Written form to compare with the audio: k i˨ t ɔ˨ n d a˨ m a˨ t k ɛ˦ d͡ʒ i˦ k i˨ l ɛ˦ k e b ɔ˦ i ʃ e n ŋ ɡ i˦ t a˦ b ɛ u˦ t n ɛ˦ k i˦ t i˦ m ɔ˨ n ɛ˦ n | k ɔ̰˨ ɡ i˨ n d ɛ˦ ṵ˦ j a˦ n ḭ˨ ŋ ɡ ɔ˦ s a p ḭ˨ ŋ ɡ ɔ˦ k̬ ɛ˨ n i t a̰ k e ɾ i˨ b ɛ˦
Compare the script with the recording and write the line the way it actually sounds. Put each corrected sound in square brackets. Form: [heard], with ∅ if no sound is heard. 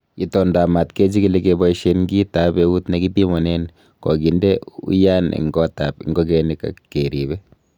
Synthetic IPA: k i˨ t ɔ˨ n d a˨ m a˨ t k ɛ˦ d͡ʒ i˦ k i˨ l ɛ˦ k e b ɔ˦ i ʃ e n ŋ ɡ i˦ t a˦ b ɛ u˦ t n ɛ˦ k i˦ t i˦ m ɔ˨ n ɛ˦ n | k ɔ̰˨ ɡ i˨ n d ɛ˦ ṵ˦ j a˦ n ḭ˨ ŋ ɡ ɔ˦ [t] a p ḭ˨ ŋ ɡ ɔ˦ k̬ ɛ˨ n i [k] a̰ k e ɾ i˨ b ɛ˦